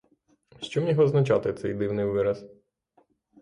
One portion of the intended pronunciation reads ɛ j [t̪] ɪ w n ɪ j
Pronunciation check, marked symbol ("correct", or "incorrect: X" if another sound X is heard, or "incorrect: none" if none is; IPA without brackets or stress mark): incorrect: d̪